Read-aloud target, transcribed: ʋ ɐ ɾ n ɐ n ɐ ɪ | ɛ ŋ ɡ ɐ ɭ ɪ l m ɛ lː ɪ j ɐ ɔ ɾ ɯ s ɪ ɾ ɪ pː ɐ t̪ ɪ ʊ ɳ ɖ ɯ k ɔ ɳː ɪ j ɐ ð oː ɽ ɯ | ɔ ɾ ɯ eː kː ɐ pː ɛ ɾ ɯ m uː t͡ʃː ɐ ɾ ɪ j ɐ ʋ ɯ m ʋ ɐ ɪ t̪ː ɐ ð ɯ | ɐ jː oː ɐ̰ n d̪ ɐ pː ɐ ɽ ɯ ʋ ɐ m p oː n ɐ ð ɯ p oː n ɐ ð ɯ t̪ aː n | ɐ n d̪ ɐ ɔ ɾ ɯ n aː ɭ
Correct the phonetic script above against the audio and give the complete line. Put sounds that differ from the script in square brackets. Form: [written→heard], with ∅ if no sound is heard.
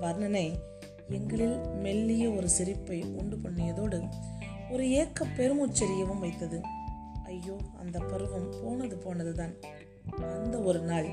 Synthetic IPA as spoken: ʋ ɐ ɾ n ɐ n ɐ ɪ | ɛ ŋ ɡ ɐ ɭ ɪ l m ɛ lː ɪ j ɐ ɔ ɾ ɯ s ɪ ɾ ɪ pː ɐ [t̪→∅] ɪ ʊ ɳ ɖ ɯ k ɔ ɳː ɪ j ɐ ð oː ɽ ɯ | ɔ ɾ ɯ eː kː ɐ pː ɛ ɾ ɯ m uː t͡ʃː ɐ ɾ ɪ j ɐ ʋ ɯ m ʋ ɐ ɪ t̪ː ɐ ð ɯ | ɐ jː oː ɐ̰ n d̪ ɐ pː ɐ [ɽ→ɾ] ɯ ʋ ɐ m p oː n ɐ ð ɯ p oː n ɐ ð ɯ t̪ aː n | ɐ n d̪ ɐ ɔ ɾ ɯ n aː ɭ